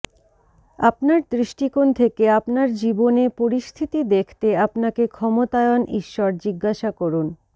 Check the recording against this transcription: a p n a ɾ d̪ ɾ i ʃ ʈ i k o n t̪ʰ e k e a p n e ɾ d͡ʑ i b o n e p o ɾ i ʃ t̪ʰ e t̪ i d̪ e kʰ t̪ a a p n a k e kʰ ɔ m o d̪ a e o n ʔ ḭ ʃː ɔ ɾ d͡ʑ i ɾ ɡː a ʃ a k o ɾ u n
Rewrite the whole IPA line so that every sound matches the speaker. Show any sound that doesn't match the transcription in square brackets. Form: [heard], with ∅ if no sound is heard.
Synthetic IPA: a p n a ɾ d̪ ɾ i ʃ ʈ i k o n t̪ʰ e k e a p n [a] ɾ d͡ʑ i b o n e p o ɾ i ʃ t̪ʰ [i] t̪ i d̪ e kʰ t̪ [e] a p n a k e kʰ ɔ m o [t̪] a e o n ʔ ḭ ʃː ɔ ɾ d͡ʑ i [∅] ɡː a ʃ a k o ɾ u n